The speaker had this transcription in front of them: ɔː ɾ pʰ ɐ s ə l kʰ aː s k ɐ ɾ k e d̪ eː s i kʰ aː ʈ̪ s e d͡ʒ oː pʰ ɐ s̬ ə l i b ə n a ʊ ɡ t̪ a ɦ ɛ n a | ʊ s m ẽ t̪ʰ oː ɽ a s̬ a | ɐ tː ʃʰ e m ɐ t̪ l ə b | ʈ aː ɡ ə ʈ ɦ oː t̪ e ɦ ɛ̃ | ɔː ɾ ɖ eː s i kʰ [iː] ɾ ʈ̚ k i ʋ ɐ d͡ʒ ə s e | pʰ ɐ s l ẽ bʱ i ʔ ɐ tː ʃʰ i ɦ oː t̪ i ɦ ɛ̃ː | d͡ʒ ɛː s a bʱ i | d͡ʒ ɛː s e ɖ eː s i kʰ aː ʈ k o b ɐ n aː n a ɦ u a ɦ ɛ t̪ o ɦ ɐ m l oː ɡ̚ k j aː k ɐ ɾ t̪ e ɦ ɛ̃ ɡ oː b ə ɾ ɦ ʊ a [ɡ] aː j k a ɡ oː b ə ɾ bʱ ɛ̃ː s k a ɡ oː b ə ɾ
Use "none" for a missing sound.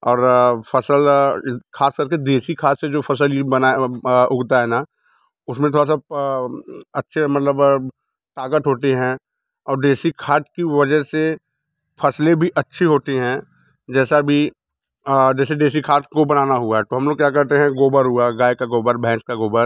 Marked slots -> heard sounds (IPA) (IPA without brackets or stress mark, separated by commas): aː, ɡ